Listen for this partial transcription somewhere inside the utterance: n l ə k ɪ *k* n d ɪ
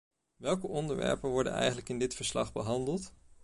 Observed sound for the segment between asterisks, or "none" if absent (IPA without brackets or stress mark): none